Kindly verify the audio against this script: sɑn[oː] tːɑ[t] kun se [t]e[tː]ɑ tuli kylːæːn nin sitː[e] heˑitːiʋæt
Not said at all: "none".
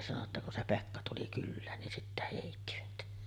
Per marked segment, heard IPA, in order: o, none, p, kː, æ

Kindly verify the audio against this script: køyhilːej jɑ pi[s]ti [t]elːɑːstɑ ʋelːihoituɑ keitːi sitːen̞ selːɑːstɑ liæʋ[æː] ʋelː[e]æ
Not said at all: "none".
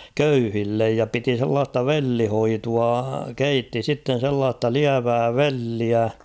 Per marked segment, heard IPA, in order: none, s, æː, i

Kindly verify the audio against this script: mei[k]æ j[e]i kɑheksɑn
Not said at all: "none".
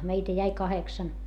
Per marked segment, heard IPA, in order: t, æ

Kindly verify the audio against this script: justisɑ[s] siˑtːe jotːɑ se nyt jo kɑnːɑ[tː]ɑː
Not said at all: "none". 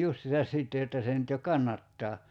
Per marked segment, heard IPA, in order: s, tː

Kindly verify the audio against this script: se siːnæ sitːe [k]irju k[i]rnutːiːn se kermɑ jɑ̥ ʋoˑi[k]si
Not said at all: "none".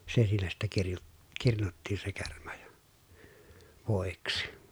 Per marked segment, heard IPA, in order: k, i, k

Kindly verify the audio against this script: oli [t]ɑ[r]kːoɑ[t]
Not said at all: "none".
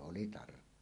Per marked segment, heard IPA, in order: t, r, none

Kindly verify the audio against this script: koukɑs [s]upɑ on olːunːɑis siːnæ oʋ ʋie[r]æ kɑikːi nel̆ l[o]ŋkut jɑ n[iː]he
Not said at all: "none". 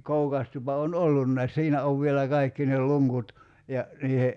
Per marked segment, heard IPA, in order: t, l, u, iː

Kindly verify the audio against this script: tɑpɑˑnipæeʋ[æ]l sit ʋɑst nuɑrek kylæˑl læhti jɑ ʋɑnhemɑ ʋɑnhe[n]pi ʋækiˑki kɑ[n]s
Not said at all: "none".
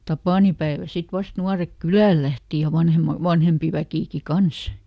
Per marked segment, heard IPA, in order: æ, m, n

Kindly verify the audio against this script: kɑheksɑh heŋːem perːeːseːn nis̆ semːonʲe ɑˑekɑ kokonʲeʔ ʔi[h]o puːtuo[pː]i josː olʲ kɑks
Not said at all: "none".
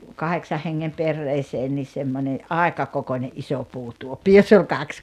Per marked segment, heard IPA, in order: s, pː

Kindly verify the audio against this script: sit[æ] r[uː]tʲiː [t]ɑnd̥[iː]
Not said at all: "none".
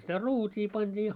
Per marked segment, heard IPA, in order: æ, uː, p, iː

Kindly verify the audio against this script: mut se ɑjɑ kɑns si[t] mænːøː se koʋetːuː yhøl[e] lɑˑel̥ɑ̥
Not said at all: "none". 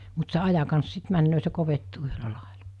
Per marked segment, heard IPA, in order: t, æ

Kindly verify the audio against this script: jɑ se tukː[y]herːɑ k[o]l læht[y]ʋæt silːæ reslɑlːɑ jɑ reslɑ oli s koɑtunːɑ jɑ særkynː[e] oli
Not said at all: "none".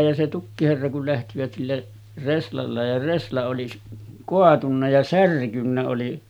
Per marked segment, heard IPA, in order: i, u, i, æ

